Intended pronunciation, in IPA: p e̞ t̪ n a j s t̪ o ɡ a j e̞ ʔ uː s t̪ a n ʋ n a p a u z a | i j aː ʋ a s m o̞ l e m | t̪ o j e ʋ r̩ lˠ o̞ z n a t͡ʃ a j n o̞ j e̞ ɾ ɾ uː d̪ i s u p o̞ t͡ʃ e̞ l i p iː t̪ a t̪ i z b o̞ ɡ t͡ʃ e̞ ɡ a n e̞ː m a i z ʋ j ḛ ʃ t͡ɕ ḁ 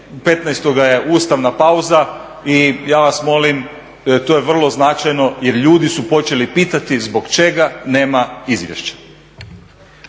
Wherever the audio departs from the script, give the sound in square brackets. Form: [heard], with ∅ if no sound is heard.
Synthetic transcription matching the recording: p e̞ t̪ n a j s t̪ o ɡ a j e̞ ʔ uː s t̪ a [∅] ʋ n a p a u z a | i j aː ʋ a s m o̞ l [i] m | t̪ o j e ʋ r̩ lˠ o̞ z n a t͡ʃ a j n o̞ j e̞ ɾ [ʎ] uː d̪ i s u p o̞ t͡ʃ e̞ l i p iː t̪ a t̪ i z b o̞ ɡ t͡ʃ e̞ ɡ a n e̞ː m a i z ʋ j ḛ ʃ t͡ɕ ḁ